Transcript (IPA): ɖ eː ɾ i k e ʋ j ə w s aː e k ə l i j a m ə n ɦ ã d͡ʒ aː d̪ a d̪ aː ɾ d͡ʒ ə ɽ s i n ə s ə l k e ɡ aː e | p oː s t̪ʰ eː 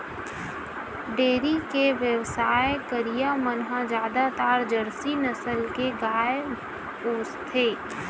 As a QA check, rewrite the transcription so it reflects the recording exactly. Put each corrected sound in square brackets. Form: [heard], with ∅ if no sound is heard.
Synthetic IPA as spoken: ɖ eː ɾ i k e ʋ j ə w s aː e k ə [ɾ] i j a m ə n ɦ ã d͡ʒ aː d̪ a [t̪] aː ɾ d͡ʒ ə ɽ s i n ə s ə l k e ɡ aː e | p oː s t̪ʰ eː

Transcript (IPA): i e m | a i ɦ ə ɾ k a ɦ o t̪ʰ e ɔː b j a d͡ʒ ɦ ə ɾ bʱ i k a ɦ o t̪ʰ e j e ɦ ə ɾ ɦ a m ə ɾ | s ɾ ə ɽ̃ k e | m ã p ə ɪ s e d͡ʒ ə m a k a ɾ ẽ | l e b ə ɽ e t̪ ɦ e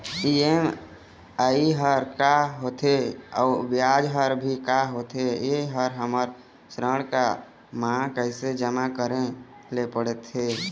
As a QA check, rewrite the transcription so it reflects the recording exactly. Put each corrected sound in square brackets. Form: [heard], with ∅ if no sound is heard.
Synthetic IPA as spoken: i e m | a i ɦ ə ɾ k a ɦ o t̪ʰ e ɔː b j a d͡ʒ ɦ ə ɾ bʱ i k a ɦ o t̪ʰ e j e ɦ ə ɾ ɦ [ə] m ə ɾ | s ɾ ə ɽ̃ k [a] | m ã [k] ə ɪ s e d͡ʒ ə m a k [ə] ɾ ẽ | l e [p] ə ɽ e t̪ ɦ e

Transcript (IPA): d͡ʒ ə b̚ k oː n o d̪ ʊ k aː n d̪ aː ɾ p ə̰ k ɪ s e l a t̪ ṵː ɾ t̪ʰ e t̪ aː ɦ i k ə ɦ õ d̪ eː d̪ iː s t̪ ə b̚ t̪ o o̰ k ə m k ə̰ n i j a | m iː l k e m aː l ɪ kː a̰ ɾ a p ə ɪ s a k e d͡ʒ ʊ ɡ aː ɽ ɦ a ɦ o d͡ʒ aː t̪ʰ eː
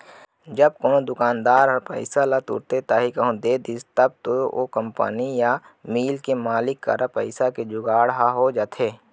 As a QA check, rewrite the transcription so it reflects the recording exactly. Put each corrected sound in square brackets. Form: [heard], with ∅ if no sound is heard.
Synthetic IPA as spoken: d͡ʒ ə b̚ k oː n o d̪ ʊ k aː n d̪ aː ɾ p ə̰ [∅] ɪ s [a] l a t̪ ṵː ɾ [t̪] e t̪ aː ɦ i k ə ɦ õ d̪ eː d̪ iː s t̪ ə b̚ t̪ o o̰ k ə m [p] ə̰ n i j a | m iː l k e m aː l ɪ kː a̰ ɾ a p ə ɪ s a k e d͡ʒ ʊ ɡ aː ɽ ɦ a ɦ o d͡ʒ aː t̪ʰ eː

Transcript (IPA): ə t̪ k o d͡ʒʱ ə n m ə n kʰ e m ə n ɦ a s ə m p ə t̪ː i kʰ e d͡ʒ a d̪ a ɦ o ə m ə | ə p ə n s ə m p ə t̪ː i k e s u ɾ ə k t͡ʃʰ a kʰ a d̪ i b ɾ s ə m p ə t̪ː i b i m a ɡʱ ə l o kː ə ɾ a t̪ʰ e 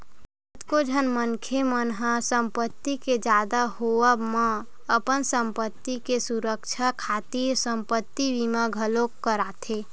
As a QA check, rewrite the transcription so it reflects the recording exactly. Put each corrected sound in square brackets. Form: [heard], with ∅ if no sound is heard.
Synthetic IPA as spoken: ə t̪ k o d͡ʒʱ ə n m ə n kʰ e m ə n ɦ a s ə m p ə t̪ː i [k] e d͡ʒ a d̪ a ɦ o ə m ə | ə p ə n s ə m p ə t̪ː i k e s u ɾ ə k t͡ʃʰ a kʰ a [t̪] i [∅] ɾ s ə m p ə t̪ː i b i m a ɡʱ ə l o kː ə ɾ a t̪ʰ e

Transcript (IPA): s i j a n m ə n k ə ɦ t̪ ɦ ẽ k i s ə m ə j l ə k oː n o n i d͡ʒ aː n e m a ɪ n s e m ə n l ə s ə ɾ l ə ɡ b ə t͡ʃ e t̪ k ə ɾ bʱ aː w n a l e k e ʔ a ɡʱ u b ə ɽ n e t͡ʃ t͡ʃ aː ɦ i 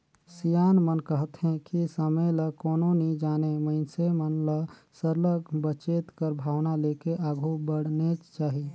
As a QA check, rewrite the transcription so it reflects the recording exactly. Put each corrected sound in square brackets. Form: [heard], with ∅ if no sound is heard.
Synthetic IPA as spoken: s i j a n m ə n k ə ɦ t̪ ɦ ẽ k i s ə m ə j l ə k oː n o n i d͡ʒ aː n e m [ə] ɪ n s e m ə n l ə s ə ɾ l ə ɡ b ə t͡ʃ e t̪ k ə ɾ bʱ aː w n a l e k e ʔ a ɡʱ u b ə ɽ n e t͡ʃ t͡ʃ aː ɦ i

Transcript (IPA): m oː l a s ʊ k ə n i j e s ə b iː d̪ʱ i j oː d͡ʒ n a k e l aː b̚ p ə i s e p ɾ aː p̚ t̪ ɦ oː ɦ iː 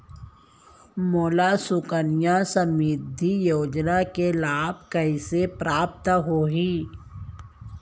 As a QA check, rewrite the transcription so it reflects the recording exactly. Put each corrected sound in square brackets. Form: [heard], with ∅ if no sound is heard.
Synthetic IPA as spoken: m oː l a s ʊ k ə n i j [a] s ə [m] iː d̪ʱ i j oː d͡ʒ n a k e l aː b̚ [k] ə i s e p ɾ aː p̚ t̪ ɦ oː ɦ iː

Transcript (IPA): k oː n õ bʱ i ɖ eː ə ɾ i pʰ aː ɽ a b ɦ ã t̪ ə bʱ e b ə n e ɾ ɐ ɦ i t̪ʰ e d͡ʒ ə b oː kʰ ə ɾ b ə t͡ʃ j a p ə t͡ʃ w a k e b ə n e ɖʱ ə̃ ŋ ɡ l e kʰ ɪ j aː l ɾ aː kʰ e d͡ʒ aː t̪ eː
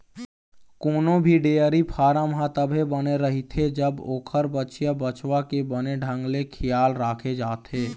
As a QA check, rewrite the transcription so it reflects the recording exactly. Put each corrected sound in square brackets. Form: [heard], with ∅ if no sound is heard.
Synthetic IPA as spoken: k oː n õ bʱ i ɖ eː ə ɾ i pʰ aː [ɾ] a [m] ɦ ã t̪ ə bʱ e b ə n e ɾ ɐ ɦ i t̪ʰ e d͡ʒ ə b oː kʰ ə ɾ b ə t͡ʃ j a [b] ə t͡ʃ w a k e b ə n e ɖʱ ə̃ ŋ ɡ l e kʰ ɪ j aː l ɾ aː kʰ e d͡ʒ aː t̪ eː

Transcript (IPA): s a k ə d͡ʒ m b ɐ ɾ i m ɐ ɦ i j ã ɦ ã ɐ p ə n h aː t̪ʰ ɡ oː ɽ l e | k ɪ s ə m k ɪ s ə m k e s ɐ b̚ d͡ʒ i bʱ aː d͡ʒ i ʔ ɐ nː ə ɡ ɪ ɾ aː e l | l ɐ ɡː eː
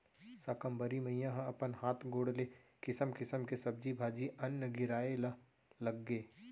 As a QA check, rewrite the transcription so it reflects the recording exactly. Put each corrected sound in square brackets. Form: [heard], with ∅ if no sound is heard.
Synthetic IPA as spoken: s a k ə [∅] m b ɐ ɾ i m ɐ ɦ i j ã ɦ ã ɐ p ə n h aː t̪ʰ ɡ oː ɽ l e | k ɪ s ə m k ɪ s ə m k e s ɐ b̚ d͡ʒ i bʱ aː d͡ʒ i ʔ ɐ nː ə ɡ ɪ ɾ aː e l | l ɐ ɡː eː

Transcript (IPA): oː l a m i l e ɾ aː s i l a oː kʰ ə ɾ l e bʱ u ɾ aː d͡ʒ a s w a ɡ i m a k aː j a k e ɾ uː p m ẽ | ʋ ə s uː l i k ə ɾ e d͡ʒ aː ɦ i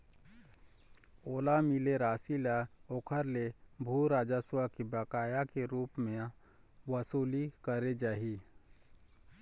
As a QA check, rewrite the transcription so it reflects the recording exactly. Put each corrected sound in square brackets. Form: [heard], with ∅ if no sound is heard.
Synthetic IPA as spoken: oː l a m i l e ɾ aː s i l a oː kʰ ə ɾ l e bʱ u ɾ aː d͡ʒ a s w a [k] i [b] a k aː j a k e ɾ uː p m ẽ | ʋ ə s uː l i k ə ɾ e d͡ʒ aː ɦ i

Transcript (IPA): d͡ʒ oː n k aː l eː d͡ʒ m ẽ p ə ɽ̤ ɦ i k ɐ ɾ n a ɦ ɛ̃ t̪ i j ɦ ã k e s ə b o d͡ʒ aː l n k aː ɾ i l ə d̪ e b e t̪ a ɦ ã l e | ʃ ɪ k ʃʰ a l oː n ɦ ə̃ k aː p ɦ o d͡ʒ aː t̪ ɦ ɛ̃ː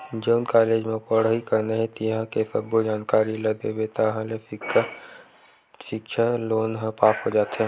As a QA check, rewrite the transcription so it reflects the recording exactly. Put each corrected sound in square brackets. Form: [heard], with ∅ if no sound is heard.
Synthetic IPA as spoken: d͡ʒ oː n k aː l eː d͡ʒ m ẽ p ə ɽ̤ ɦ i k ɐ ɾ n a ɦ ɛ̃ t̪ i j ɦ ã k e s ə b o d͡ʒ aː [∅] n k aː ɾ i l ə d̪ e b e t̪ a ɦ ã l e | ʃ ɪ k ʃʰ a l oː n ɦ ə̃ [p] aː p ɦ o d͡ʒ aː t̪ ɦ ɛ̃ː

